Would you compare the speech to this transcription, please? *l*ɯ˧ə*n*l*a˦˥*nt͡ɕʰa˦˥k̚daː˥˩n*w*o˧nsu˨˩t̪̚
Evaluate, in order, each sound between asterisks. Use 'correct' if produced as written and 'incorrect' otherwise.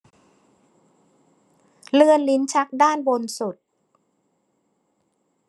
correct, correct, incorrect, incorrect

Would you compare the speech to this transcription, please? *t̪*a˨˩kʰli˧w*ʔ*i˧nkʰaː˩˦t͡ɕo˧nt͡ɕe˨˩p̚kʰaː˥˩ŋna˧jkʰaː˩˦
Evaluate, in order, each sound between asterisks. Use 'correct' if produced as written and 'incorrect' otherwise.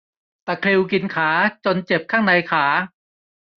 correct, incorrect

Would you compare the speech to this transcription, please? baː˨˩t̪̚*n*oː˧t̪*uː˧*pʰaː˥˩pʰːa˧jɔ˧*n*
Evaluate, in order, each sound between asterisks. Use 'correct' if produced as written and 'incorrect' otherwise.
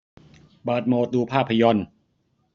incorrect, correct, correct

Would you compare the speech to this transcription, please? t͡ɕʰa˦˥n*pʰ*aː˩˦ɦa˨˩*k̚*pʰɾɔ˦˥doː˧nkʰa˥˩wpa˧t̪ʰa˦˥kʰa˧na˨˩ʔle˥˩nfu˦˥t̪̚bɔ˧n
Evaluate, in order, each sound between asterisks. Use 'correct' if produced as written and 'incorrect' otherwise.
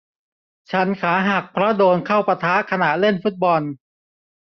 incorrect, correct

